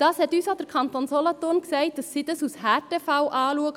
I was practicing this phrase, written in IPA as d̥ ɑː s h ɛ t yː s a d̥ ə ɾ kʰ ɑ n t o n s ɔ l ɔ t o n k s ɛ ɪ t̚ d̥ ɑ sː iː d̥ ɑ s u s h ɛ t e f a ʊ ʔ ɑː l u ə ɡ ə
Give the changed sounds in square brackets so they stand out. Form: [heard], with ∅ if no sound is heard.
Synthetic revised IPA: d̥ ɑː s h ɛ t yː s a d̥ ə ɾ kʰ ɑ n t o n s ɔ l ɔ t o n k s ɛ ɪ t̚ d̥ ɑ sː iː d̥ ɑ s u s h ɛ t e f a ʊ ʔ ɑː l u ə ɡ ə